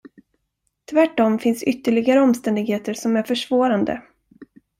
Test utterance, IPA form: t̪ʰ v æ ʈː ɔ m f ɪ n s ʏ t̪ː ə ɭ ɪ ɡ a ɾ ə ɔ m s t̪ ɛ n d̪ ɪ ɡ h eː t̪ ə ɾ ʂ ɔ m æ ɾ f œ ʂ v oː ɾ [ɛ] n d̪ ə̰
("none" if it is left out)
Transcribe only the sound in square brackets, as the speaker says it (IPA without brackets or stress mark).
a